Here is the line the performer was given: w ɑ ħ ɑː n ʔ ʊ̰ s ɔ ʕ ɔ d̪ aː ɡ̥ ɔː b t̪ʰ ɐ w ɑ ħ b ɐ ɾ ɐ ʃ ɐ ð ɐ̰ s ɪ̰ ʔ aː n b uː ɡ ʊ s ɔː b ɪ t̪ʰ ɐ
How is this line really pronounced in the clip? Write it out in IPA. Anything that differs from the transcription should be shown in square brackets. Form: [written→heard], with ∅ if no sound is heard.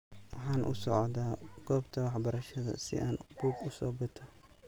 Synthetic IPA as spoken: w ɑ ħ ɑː n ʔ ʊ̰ s ɔ ʕ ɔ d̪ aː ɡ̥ ɔː b t̪ʰ ɐ w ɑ ħ b ɐ ɾ ɐ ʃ ɐ ð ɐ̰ s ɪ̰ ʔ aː n b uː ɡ ʊ s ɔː b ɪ t̪ʰ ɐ